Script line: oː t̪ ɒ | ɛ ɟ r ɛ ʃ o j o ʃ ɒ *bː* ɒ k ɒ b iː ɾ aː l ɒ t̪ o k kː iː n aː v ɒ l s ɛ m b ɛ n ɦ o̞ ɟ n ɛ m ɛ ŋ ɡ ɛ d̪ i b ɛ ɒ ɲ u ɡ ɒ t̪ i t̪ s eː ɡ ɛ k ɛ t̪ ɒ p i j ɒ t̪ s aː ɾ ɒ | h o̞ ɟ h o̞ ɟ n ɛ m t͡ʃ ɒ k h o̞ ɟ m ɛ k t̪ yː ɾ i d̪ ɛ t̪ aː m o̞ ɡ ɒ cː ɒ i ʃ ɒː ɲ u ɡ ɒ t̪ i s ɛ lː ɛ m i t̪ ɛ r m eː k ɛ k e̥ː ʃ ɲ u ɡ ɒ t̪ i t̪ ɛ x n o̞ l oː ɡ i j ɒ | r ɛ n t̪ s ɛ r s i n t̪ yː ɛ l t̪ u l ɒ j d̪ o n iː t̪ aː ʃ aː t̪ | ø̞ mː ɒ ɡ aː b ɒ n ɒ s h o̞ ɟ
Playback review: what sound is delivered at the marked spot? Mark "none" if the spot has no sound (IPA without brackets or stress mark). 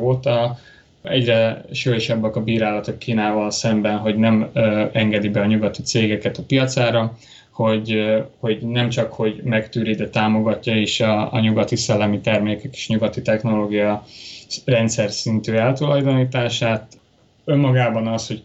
bː